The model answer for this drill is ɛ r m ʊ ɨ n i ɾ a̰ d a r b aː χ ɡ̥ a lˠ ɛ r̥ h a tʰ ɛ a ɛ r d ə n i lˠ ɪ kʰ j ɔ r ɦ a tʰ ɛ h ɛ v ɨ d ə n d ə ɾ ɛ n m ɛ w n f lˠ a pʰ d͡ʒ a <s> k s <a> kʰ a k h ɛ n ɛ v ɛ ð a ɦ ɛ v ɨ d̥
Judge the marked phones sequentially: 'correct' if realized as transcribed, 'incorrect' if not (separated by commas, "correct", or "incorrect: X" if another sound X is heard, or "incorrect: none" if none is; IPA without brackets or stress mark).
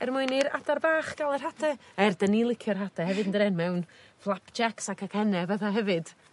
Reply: incorrect: none, correct